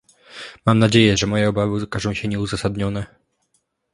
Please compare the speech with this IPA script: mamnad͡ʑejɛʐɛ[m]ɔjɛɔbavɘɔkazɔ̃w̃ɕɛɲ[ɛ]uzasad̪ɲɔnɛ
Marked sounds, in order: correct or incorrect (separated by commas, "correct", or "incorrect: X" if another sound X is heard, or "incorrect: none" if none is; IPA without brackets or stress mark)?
correct, correct